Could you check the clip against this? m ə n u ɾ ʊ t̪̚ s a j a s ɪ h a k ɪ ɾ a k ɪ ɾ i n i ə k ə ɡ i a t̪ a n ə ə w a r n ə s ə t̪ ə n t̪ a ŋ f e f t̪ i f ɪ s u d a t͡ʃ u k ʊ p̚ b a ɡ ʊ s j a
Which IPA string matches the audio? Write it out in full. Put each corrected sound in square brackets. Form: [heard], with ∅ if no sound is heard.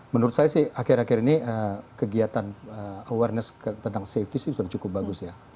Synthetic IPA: m ə n u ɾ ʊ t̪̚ s a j a s ɪ h a k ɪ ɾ a k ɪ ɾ i n i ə k ə ɡ i a t̪ a n ə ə w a r n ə s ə t̪ ə n t̪ a ŋ [s] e f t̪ i [s] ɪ s u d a t͡ʃ u k ʊ p̚ b a ɡ ʊ s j a